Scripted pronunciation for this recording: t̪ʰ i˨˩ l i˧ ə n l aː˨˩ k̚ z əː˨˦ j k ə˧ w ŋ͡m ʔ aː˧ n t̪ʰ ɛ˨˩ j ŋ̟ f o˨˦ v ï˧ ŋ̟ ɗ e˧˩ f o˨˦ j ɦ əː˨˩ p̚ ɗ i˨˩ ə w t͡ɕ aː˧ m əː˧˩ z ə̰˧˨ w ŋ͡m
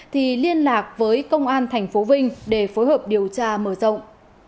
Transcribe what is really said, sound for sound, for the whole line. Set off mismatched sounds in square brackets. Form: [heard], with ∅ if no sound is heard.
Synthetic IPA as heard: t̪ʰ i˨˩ l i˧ ə n l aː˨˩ k̚ [v] əː˨˦ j k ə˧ w ŋ͡m ʔ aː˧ n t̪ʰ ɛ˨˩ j ŋ̟ f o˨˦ v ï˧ ŋ̟ ɗ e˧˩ f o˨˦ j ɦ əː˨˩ p̚ ɗ i˨˩ ə w t͡ɕ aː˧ m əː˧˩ z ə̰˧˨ w ŋ͡m